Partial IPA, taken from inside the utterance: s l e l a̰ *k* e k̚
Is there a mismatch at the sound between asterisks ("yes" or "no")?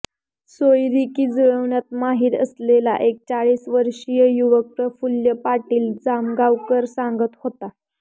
yes